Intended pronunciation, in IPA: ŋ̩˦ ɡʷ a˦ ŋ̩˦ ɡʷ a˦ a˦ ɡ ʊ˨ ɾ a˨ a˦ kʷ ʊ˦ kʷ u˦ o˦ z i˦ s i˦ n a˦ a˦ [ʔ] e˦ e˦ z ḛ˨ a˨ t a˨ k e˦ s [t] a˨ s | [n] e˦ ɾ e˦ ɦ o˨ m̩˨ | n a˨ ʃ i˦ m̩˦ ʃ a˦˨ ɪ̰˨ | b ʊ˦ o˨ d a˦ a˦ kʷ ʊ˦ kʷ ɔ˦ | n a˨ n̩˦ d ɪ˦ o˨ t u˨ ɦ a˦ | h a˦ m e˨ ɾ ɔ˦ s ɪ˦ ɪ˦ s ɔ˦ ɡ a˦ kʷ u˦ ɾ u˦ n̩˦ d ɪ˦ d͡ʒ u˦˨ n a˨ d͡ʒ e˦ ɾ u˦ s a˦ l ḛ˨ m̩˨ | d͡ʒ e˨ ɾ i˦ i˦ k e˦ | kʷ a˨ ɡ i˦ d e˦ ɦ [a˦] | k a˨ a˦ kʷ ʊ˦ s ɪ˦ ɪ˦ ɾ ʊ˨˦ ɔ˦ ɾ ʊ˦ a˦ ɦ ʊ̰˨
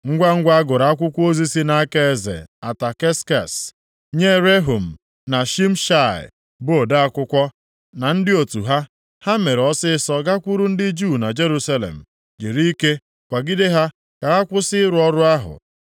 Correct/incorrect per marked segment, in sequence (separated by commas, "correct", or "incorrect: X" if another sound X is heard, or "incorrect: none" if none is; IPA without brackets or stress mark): incorrect: k, incorrect: k, incorrect: ɲ, correct